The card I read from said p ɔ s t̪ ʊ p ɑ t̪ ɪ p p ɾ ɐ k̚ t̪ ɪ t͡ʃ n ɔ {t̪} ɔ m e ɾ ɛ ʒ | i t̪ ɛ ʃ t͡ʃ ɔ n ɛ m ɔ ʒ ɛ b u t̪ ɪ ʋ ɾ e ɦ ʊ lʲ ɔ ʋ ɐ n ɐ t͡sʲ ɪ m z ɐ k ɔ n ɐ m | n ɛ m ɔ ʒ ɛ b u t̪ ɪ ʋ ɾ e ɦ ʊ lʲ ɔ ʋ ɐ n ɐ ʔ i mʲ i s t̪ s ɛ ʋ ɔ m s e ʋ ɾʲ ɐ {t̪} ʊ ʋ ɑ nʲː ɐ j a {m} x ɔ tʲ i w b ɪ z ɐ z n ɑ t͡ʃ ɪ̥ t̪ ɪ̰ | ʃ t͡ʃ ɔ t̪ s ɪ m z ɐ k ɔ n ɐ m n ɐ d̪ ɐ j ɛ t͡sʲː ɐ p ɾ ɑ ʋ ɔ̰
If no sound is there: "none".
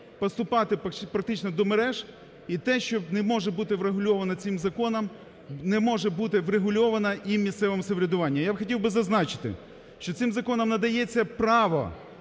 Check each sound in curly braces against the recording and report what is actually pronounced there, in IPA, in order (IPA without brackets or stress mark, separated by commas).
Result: d̪, d̪, b